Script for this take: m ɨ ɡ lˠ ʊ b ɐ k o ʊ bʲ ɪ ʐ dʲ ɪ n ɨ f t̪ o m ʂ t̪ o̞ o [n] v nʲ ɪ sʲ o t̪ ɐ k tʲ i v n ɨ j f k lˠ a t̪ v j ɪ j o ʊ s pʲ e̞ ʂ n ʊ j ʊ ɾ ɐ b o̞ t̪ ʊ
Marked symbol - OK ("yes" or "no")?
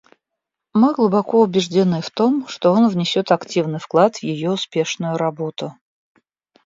yes